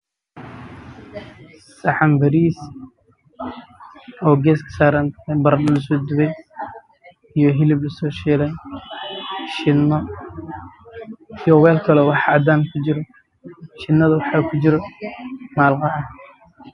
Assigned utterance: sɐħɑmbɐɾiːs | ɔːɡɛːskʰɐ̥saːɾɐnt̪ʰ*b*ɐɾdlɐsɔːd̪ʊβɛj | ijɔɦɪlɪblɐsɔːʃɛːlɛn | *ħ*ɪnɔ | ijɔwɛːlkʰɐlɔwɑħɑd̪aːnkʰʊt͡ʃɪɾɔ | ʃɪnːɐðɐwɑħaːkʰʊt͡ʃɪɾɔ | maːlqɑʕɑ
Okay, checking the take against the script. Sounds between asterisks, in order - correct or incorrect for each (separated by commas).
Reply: correct, incorrect